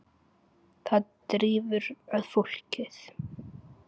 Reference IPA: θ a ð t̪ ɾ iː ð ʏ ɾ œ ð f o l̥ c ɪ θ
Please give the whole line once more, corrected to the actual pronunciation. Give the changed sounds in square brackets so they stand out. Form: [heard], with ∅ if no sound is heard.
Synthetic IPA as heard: θ a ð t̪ ɾ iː [v] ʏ ɾ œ ð f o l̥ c ɪ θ